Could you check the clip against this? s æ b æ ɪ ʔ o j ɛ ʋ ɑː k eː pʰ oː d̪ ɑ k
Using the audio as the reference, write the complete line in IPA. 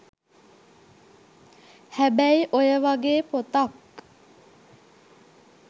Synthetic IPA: h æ b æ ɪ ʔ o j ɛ ʋ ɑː ɡ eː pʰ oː t̪ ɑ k